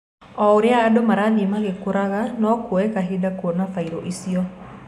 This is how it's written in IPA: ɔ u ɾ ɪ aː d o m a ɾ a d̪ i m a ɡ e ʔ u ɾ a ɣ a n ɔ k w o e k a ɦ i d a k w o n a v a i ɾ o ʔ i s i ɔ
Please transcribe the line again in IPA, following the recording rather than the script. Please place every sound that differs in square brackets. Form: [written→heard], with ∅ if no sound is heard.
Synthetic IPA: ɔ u ɾ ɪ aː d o m a ɾ a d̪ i m a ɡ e [ʔ→k] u ɾ a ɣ a n ɔ k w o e k a ɦ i d a k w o n a [v→f] a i ɾ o ʔ i s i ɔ

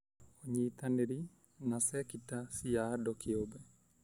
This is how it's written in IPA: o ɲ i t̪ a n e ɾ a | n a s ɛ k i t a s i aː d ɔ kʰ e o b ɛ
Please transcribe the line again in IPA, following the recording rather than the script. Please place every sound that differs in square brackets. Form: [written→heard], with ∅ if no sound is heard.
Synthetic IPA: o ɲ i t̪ a n e ɾ [a→i] | n a s ɛ k i t a s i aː d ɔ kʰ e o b ɛ

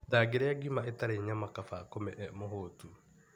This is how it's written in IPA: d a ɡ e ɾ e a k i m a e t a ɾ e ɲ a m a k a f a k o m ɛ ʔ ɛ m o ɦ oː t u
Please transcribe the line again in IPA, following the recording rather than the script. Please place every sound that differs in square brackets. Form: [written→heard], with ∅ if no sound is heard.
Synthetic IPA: d a ɡ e ɾ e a [k→ɡ] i m a e t a ɾ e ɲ a m a k a f a k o m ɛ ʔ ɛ m o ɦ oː t u

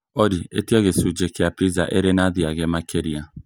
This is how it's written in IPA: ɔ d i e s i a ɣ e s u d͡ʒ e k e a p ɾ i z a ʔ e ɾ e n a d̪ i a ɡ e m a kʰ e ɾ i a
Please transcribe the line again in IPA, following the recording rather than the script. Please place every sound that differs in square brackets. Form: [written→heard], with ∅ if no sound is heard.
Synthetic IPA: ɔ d i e [s→t] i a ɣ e s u d͡ʒ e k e a p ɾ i z a ʔ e ɾ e n a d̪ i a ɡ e m a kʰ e ɾ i a

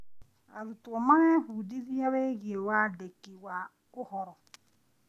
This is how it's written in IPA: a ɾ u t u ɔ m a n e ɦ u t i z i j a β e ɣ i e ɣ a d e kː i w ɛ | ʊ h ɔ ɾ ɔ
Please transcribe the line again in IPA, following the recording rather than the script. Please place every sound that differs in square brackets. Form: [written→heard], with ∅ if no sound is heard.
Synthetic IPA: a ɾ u t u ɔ m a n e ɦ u [t→d] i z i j a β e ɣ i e [ɣ→w] a d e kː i w [ɛ→a] | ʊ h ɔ ɾ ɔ

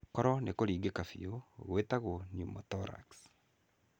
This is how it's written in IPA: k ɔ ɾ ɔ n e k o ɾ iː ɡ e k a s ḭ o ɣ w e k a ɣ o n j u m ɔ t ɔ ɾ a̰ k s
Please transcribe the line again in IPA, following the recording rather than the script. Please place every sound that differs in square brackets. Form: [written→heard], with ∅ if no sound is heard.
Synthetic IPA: k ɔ ɾ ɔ n e k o ɾ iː ɡ e k a [s→f] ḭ o ɣ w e [k→t] a ɣ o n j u m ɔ t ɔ ɾ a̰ k s

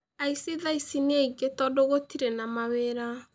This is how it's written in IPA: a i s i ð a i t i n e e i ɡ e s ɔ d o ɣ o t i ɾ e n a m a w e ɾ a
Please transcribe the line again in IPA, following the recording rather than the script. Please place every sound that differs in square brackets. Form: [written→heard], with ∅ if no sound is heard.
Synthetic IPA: a i s i ð a i [t→s] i n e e i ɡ e [s→t] ɔ d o ɣ o t i ɾ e n a m a w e ɾ a

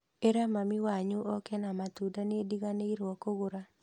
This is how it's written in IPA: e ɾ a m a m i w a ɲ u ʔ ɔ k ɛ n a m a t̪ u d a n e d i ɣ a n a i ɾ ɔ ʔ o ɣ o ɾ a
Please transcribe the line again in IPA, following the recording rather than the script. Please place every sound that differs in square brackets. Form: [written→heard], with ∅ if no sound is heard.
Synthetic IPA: e ɾ a m a m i w a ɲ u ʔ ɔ k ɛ n a m a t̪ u d a n e d i ɣ a n [a→e] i ɾ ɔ [ʔ→k] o ɣ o ɾ a

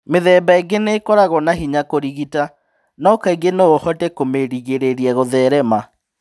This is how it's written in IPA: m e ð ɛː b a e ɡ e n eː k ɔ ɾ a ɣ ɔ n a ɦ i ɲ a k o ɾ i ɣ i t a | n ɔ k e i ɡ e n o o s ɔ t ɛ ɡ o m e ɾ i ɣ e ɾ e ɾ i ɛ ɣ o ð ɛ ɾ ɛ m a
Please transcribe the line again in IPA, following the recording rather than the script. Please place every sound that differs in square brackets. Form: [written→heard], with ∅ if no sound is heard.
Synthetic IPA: m e ð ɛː b a e ɡ e n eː k ɔ ɾ a ɣ ɔ n a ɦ i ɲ a k o ɾ i ɣ i t a | n ɔ k [e→a] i ɡ e n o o [s→h] ɔ t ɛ [ɡ→k] o m e ɾ i ɣ e ɾ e ɾ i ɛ ɣ o ð ɛ ɾ ɛ m a

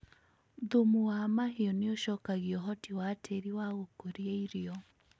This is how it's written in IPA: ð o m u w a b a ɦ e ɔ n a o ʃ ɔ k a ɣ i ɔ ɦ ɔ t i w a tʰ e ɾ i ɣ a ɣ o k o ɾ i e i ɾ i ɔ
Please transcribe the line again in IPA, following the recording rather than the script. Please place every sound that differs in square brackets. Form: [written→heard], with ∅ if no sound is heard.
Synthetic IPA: ð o m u w a [b→m] a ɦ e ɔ n [a→e] o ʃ ɔ k a ɣ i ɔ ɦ ɔ t i w a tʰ e ɾ i [ɣ→w] a ɣ o k o ɾ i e i ɾ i ɔ

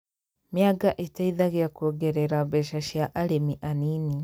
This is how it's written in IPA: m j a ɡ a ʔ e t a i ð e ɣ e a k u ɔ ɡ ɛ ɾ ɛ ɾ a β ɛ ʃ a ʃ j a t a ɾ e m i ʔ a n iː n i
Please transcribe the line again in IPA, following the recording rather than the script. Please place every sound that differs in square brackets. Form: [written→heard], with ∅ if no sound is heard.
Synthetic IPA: m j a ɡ a ʔ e t a i ð [e→a] ɣ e a k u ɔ ɡ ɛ ɾ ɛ ɾ a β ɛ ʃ a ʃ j a [t→ʔ] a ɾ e m i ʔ a n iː n i

